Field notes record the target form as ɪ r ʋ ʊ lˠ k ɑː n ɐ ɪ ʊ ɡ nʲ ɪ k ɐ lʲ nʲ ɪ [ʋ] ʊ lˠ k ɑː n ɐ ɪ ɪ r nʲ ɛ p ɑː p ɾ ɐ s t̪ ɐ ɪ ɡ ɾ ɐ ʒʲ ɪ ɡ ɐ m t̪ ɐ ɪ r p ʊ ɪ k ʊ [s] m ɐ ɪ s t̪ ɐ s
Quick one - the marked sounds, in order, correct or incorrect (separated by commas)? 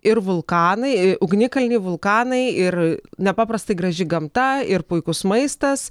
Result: correct, correct